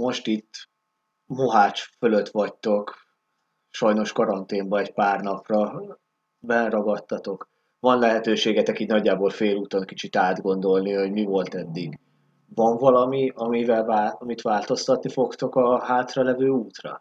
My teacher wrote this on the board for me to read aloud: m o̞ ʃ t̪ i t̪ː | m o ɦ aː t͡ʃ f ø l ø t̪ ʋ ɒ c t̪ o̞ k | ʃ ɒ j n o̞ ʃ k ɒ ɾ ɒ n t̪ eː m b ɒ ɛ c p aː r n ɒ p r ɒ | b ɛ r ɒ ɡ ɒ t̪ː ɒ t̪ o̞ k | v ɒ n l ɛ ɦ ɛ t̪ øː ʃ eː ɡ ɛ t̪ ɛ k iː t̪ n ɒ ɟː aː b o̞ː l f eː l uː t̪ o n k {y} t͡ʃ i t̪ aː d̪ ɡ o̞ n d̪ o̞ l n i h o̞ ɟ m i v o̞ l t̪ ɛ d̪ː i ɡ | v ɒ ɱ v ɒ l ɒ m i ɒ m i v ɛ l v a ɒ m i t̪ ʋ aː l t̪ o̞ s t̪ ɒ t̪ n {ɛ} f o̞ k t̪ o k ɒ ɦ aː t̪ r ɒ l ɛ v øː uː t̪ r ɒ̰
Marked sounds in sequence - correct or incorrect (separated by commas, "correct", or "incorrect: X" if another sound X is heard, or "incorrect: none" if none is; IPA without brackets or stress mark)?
incorrect: i, incorrect: i